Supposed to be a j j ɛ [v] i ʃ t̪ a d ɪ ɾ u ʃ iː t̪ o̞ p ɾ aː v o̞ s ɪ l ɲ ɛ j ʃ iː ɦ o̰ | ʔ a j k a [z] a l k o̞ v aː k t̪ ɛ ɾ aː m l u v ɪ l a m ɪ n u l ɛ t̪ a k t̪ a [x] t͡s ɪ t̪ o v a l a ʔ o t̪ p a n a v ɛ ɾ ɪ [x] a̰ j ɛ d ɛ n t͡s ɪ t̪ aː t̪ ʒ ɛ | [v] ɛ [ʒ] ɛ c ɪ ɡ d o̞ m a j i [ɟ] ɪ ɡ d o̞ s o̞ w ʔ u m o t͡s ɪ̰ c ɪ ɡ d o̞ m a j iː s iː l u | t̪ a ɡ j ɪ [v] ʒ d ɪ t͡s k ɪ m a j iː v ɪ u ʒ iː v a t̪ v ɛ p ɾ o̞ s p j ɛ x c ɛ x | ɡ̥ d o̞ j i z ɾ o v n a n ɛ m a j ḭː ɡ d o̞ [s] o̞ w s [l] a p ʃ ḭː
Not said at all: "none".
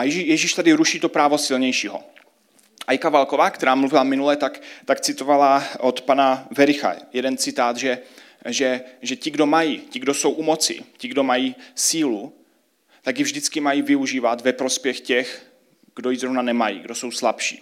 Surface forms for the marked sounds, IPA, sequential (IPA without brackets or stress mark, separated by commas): ʒ, v, k, x, ʒ, ʒ, c, v, s, l